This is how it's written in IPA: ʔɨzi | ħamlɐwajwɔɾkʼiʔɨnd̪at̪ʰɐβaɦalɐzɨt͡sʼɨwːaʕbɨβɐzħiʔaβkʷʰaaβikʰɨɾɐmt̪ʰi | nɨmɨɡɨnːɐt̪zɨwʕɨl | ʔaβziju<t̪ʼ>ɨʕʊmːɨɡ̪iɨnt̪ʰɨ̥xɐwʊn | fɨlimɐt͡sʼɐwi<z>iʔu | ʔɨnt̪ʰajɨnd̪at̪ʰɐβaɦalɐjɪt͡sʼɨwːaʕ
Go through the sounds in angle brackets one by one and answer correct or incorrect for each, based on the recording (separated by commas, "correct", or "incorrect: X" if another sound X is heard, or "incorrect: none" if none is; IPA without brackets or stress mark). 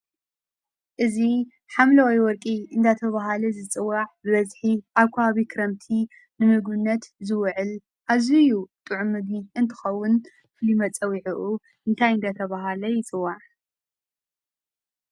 correct, incorrect: ʕ